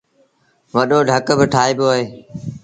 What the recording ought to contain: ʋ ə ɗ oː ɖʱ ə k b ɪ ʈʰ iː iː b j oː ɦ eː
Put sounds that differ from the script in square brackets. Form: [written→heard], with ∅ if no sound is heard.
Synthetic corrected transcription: ʋ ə ɗ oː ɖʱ ə k b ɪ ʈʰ [iː→aː] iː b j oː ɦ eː